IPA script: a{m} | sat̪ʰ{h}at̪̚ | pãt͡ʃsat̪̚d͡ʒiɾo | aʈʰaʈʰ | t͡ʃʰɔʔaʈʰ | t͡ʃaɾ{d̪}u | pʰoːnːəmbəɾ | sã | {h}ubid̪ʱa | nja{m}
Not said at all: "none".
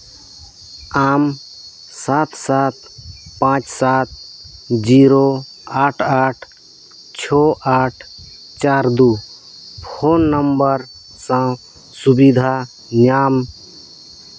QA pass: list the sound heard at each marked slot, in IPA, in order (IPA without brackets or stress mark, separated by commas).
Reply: m, s, d̪, s, m